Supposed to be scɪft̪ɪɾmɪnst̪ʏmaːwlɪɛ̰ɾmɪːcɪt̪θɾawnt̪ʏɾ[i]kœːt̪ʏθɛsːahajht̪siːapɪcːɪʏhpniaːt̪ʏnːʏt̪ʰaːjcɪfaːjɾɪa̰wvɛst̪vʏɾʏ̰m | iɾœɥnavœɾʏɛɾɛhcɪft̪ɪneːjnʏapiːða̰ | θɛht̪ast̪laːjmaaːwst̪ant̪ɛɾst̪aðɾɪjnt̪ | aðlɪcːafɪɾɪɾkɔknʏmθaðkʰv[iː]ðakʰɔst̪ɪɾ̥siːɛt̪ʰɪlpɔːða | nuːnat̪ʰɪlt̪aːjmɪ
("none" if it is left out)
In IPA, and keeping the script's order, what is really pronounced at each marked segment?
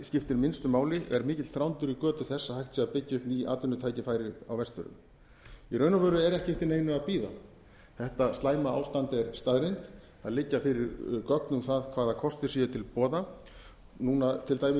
i, aː

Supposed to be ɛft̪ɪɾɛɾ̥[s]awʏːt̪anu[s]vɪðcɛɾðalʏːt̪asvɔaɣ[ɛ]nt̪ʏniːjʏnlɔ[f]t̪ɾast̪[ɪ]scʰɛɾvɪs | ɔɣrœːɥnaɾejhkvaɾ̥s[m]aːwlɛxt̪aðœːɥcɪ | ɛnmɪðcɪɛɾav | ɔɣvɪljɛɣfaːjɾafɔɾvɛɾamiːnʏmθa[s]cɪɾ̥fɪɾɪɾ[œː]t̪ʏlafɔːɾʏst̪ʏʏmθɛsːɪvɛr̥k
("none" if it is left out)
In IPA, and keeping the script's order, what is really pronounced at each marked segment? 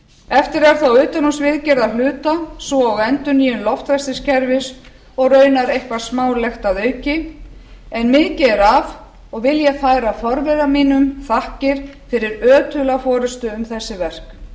θ, s, ɛ, f, ɪ, m, h, œː

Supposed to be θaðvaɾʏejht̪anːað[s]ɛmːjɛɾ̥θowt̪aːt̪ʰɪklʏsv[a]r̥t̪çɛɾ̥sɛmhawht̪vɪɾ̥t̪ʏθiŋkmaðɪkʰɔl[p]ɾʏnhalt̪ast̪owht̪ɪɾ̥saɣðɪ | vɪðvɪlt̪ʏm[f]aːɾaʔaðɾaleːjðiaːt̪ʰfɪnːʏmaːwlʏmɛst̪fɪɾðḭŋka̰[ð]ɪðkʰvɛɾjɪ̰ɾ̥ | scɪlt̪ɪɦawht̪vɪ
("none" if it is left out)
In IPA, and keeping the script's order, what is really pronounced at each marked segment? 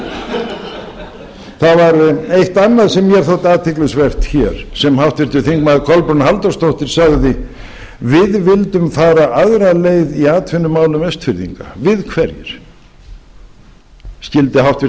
s, ɛ, p, f, v

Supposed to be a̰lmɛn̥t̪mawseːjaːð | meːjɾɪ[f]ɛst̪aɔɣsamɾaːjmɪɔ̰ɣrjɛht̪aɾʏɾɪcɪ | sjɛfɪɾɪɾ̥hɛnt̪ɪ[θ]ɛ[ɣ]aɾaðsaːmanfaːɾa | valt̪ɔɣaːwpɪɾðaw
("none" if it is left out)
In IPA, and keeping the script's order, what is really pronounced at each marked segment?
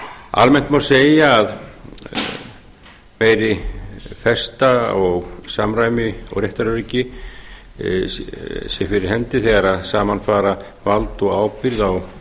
f, θ, ɣ

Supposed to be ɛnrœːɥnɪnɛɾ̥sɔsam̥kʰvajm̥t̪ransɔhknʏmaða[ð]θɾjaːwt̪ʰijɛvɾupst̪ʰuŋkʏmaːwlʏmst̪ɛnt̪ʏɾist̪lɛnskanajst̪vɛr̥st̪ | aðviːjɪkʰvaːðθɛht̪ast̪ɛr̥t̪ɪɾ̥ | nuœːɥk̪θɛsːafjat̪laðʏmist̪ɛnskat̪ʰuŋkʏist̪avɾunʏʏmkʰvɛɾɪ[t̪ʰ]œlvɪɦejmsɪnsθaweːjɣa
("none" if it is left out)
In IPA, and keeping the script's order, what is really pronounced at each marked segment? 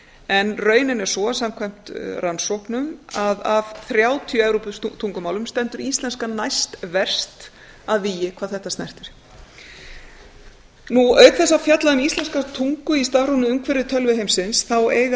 v, t̪ʰ

